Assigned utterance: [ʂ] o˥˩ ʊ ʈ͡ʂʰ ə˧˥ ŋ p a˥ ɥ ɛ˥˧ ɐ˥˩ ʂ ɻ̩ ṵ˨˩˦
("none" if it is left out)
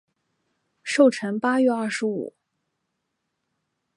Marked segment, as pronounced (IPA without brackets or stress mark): ʂ